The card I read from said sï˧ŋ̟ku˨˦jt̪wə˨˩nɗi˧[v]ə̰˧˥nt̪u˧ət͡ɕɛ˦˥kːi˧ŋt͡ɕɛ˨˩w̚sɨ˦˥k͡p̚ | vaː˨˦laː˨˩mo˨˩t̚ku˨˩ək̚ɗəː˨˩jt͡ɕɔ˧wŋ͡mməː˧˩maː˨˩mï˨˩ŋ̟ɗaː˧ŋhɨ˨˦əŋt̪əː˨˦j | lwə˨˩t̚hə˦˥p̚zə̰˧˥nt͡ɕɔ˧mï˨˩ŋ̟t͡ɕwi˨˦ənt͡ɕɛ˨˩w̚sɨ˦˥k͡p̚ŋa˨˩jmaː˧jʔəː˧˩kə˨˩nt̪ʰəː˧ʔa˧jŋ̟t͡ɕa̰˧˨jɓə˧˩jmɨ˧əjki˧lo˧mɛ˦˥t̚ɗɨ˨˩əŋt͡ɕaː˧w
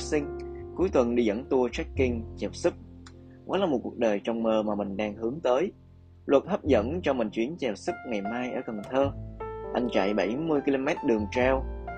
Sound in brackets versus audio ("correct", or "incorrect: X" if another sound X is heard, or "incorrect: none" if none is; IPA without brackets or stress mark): incorrect: z